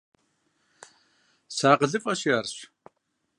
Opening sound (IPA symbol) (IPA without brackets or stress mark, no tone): s